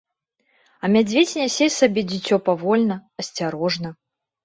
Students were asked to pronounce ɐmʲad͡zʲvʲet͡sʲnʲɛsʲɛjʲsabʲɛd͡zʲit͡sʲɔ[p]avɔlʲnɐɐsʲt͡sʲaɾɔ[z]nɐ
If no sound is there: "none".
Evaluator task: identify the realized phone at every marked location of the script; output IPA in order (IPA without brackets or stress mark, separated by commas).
p, ʐ